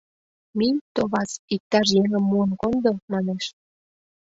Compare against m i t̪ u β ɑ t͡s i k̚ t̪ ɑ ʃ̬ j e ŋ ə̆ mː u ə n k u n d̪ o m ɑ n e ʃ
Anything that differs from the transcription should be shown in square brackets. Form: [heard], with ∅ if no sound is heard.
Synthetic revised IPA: m i t̪ [o] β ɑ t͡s i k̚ t̪ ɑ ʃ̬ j e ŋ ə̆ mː u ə n k [o] n d̪ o m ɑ n e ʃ